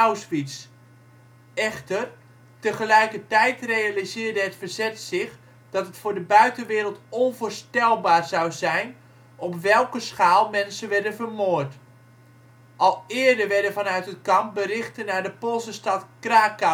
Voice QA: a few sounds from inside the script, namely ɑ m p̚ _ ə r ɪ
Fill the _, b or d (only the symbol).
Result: b